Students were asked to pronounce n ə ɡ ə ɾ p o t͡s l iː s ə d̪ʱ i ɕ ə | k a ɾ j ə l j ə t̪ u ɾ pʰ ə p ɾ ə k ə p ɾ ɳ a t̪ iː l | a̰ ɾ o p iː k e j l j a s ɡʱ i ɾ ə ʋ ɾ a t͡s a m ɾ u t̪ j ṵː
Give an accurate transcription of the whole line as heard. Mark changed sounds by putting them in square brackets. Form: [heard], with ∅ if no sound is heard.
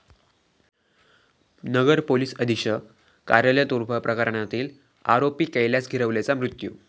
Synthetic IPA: n ə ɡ ə ɾ p o [∅] l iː s ə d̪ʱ i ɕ ə | k a ɾ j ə l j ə t̪ u ɾ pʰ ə p ɾ ə k ə [∅] ɾ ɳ a t̪ iː l | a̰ ɾ o p iː k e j l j a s ɡʱ i ɾ ə ʋ [l] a t͡s a m ɾ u t̪ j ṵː